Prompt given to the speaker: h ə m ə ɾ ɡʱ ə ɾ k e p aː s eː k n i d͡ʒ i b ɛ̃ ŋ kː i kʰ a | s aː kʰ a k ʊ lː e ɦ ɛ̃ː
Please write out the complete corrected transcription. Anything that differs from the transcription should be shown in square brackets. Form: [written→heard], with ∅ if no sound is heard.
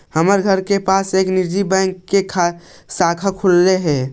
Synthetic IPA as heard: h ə m ə ɾ ɡʱ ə ɾ k e p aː s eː k n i d͡ʒ i b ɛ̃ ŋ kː [i→e] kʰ a | s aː kʰ a [k→kʰ] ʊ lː e ɦ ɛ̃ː